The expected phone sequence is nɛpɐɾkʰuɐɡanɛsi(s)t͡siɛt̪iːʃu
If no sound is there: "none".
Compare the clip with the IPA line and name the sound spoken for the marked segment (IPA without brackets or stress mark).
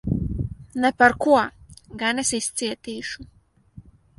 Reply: s